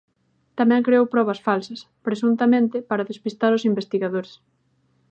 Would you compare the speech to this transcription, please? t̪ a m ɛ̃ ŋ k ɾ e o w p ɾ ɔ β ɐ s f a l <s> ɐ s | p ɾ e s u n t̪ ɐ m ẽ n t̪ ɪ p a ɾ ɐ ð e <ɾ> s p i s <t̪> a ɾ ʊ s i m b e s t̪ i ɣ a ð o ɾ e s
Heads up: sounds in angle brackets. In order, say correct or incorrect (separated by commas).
correct, incorrect, correct